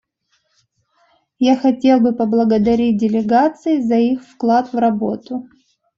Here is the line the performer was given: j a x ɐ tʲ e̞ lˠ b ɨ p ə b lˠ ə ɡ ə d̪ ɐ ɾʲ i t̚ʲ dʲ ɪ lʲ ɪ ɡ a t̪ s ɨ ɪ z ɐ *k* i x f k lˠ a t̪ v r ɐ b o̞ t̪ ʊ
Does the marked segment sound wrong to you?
yes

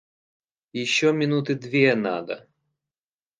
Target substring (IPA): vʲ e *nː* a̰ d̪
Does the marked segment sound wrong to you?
yes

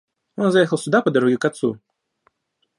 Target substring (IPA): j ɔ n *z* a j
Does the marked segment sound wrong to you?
no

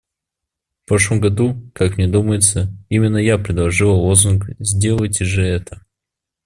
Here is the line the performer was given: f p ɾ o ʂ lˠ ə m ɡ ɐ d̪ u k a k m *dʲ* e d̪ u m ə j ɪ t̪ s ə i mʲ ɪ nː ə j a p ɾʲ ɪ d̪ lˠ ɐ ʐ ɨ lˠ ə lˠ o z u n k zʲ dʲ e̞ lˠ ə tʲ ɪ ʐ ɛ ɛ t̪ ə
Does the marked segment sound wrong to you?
yes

